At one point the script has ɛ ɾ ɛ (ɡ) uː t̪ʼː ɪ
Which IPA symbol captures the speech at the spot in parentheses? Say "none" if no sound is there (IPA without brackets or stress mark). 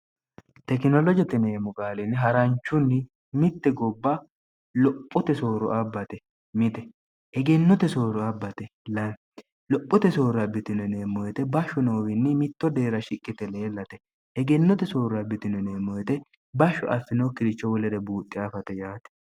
b